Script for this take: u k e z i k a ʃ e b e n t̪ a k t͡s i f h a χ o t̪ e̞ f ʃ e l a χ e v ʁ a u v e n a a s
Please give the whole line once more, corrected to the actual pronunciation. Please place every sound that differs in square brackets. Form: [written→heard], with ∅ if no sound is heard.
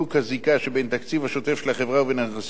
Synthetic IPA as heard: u k [e→a] z i k a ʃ e b e n t̪ a k t͡s i [f→v] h a [χ→ʃ] o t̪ e̞ f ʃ e l a χ e v ʁ a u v e n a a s